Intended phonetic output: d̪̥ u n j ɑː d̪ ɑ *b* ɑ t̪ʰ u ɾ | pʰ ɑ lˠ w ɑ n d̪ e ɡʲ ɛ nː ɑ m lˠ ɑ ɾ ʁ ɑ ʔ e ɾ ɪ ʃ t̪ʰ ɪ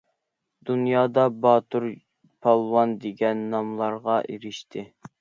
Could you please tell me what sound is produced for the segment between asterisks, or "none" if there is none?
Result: b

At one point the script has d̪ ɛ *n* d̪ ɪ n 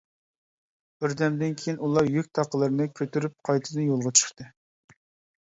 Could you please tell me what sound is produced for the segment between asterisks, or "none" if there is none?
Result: m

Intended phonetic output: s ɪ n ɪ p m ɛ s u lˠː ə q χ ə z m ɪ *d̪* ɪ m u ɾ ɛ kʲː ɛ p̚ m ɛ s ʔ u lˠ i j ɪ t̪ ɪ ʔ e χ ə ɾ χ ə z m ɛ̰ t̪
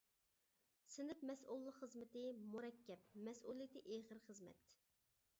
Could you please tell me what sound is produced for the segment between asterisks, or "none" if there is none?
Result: t̪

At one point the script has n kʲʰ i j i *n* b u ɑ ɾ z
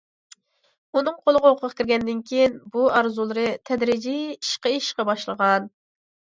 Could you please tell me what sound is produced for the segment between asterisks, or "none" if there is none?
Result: n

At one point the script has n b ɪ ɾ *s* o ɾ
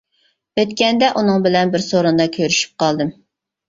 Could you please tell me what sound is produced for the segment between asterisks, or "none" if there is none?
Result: s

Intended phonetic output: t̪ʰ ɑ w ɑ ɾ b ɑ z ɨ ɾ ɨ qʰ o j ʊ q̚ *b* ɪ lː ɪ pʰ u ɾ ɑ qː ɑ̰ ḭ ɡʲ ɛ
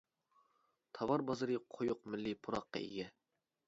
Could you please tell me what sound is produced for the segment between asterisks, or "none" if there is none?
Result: m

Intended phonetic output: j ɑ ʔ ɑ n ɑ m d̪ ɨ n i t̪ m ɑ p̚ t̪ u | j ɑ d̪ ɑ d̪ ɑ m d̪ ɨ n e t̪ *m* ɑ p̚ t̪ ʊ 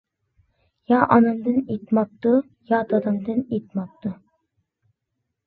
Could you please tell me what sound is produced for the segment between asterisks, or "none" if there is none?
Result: m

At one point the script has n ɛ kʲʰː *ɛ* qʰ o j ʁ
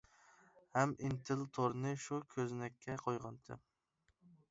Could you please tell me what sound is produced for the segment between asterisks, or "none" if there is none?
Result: ɛ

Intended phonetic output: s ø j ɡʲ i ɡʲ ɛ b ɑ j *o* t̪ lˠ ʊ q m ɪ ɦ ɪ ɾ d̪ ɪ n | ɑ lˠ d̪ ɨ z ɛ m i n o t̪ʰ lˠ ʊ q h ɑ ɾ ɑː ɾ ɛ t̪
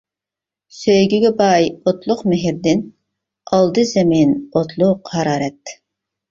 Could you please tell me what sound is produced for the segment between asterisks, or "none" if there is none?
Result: o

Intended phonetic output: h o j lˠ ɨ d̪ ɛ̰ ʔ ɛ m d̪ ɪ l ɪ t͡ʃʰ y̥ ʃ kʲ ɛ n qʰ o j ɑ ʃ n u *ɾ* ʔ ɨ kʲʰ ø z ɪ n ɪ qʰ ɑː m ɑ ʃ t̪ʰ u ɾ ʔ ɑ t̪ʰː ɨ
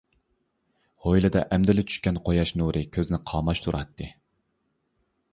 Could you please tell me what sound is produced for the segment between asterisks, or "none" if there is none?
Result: ɾ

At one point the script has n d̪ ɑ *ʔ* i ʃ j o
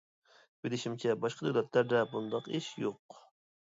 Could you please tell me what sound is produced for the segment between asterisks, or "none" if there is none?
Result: q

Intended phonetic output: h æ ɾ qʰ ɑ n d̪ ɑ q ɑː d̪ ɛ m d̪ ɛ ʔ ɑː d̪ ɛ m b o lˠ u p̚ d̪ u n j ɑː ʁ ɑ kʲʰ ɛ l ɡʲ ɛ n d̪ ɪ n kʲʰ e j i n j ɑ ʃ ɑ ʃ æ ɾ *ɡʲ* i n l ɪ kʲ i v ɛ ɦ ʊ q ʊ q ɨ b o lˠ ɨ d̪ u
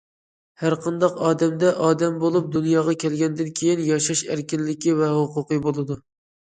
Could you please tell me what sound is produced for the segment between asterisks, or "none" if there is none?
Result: kʲ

